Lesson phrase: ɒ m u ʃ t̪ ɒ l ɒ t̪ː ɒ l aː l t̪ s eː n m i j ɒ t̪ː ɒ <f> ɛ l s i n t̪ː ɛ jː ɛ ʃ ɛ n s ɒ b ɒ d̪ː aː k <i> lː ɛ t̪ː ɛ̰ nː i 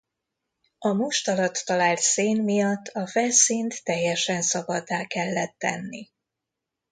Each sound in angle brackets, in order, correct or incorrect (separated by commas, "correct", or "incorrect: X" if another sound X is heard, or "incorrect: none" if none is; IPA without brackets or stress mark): correct, incorrect: ɛ